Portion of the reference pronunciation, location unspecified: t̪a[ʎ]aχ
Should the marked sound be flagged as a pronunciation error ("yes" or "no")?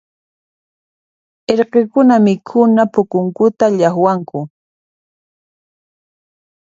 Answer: no